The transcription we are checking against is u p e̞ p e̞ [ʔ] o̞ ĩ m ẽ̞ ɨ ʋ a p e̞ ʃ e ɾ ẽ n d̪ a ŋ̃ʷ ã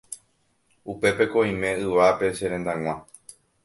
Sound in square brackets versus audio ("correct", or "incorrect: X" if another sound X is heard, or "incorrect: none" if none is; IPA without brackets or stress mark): incorrect: k